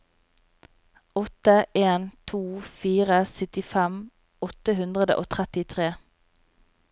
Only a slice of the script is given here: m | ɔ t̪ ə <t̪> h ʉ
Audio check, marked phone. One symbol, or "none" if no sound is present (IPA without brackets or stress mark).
none